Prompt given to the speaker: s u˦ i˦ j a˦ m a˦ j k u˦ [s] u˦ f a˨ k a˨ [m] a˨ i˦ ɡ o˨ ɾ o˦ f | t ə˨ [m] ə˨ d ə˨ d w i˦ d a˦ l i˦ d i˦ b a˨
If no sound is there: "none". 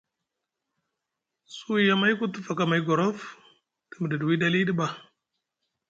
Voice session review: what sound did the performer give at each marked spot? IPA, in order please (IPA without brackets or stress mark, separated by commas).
t, m, m